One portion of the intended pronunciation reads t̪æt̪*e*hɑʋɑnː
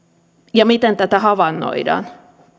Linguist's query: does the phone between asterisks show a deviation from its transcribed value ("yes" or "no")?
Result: yes